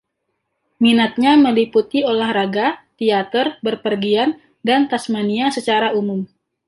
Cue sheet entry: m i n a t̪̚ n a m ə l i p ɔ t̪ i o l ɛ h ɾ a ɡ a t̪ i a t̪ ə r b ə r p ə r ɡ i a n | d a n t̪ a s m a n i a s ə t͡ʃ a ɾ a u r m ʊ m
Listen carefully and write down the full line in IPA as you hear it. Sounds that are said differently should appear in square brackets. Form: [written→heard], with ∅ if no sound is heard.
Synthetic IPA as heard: m i n a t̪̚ [n→ɲ] a m ə l i p [ɔ→u] t̪ i o l [ɛ→a] h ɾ a ɡ a t̪ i a t̪ ə r b ə r p ə r ɡ i a n | d a n t̪ a s m a n i a s ə t͡ʃ a ɾ a u [r→∅] m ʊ m